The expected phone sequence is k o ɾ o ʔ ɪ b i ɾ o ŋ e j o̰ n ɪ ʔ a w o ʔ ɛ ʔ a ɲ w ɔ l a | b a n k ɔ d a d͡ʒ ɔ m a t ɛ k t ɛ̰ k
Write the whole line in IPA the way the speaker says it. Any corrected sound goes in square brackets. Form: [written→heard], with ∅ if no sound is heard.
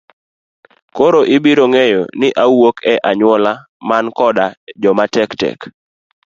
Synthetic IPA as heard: k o ɾ o ʔ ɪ b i ɾ o ŋ e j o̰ n ɪ ʔ a w o [ʔ→k] ɛ ʔ a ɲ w ɔ l a | [b→m] a n k ɔ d a d͡ʒ ɔ m a t ɛ k t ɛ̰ k